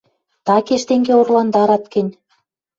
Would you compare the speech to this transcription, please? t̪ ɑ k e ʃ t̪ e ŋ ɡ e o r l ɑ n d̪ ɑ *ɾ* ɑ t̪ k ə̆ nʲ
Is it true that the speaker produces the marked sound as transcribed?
yes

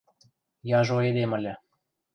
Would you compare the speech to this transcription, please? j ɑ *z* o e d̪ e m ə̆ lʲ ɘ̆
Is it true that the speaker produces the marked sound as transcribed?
no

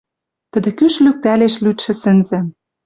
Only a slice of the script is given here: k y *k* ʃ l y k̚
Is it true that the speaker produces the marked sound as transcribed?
no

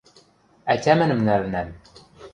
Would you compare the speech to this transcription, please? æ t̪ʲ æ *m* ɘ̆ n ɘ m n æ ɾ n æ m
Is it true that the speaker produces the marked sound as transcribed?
yes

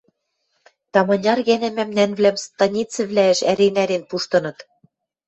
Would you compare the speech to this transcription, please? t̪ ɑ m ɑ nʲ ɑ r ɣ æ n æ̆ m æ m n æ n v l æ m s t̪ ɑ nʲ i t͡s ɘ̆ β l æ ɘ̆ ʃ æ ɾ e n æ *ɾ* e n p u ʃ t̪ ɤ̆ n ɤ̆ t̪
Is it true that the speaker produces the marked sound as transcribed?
yes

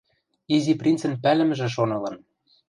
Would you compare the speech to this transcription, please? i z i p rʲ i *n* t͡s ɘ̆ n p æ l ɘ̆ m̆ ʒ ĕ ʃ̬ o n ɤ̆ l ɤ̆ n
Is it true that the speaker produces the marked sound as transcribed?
yes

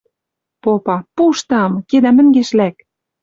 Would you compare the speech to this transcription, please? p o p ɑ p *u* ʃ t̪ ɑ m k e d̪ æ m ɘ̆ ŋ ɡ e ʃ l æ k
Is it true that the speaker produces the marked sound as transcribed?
yes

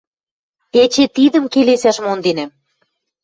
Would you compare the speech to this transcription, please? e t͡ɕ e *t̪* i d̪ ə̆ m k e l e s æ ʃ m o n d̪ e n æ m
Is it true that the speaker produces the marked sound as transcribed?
yes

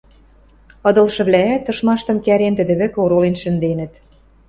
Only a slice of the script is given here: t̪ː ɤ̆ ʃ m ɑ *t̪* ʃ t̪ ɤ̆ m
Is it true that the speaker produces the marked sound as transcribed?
no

